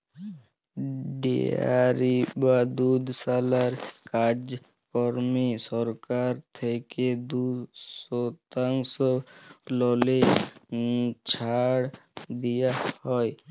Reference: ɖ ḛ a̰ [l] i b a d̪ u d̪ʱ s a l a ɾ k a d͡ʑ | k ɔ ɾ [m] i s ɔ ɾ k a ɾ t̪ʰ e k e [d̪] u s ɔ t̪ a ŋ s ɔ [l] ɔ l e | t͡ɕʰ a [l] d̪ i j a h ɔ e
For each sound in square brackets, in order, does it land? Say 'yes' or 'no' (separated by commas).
no, yes, yes, yes, no